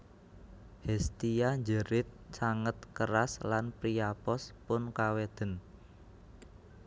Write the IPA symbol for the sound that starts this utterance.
h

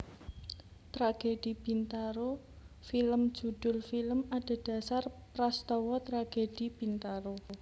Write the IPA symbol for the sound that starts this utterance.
t̪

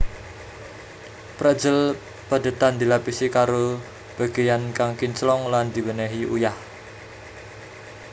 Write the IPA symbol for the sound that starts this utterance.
p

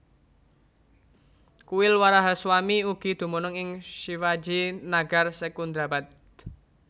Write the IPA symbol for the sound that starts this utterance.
k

